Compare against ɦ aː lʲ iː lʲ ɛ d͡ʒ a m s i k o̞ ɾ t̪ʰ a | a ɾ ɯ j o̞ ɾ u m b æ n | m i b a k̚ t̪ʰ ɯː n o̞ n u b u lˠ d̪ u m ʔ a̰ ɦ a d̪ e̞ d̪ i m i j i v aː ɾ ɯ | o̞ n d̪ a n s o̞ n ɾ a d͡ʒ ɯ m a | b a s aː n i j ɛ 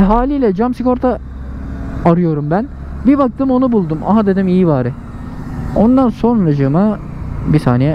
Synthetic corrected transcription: ɦ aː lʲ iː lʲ ɛ d͡ʒ a m s i k o̞ ɾ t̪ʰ a | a ɾ ɯ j o̞ ɾ u m b æ n | b i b a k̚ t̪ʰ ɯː m o̞ n u b u lˠ d̪ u m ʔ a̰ ɦ a d̪ e̞ d̪ i m i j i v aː ɾ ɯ | o̞ n d̪ a n s o̞ n ɾ a d͡ʒ ɯ m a | b i s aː n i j ɛ